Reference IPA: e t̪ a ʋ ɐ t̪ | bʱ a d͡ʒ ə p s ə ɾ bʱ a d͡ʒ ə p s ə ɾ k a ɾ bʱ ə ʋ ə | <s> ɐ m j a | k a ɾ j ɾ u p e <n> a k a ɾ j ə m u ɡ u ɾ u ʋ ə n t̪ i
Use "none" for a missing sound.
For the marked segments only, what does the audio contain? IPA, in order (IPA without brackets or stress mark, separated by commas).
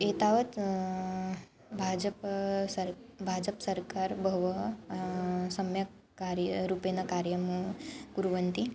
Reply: s, n